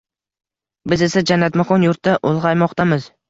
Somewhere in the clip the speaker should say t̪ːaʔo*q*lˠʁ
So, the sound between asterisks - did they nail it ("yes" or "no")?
no